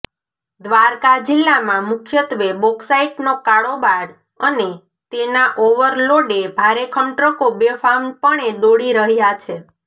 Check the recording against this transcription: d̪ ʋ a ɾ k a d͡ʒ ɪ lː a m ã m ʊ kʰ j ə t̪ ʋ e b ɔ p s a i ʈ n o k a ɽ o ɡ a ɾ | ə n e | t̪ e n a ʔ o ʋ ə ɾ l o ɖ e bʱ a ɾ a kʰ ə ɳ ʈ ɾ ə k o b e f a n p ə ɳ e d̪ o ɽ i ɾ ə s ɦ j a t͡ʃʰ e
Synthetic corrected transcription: d̪ ʋ a ɾ k a d͡ʒ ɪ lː a m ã m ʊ kʰ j ə t̪ ʋ e b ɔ k s a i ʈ n o k a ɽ o b a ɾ | ə n e | t̪ e n a ʔ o ʋ ə ɾ l o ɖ e bʱ a ɾ e kʰ ə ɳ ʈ ɾ ə k o b e f a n p ə ɳ e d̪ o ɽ i ɾ ə ɦ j a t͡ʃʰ e